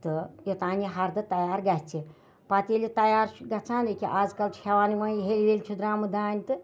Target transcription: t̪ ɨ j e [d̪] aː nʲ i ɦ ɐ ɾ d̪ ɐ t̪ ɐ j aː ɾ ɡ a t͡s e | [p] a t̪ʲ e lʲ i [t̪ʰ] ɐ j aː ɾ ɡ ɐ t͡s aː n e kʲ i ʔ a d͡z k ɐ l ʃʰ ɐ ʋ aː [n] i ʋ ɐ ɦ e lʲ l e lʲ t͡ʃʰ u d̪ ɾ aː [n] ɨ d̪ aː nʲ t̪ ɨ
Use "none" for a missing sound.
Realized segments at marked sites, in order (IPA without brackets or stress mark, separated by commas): t̪, p, t̪, n, m